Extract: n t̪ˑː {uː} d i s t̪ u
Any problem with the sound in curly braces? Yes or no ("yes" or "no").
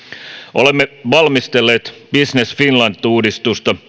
no